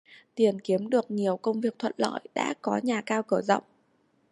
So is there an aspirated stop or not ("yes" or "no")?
yes